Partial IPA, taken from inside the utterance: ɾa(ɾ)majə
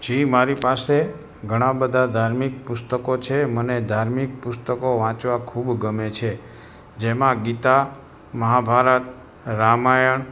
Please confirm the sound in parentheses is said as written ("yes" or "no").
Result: no